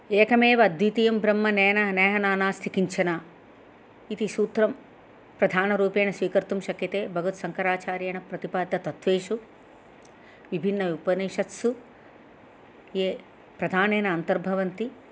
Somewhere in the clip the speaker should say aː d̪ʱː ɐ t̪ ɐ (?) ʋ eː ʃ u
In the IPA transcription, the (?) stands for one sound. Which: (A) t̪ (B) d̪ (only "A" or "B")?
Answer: A